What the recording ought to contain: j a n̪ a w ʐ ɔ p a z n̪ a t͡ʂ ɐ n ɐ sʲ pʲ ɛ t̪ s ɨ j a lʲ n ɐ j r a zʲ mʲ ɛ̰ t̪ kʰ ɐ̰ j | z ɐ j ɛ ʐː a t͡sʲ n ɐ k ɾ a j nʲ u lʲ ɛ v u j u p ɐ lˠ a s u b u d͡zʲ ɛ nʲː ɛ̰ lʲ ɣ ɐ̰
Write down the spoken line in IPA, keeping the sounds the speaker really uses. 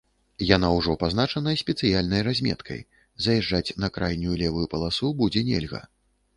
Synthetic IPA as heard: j a n̪ a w ʐ ɔ p a z n̪ a t͡ʂ ɐ n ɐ sʲ pʲ ɛ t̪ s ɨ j a lʲ n ɐ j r a zʲ mʲ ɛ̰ t̪ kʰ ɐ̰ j | z ɐ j ɛ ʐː a t͡sʲ n ɐ k ɾ a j nʲ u lʲ ɛ v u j u p ɐ lˠ a s u b u d͡zʲ ɛ nʲ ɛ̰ lʲ ɣ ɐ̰